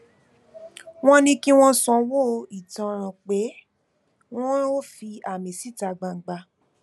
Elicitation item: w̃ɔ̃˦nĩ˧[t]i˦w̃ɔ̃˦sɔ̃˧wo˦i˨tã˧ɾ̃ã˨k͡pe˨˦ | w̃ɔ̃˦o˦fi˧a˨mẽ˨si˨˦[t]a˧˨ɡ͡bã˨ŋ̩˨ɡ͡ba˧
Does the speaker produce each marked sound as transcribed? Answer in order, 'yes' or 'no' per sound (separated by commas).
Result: no, yes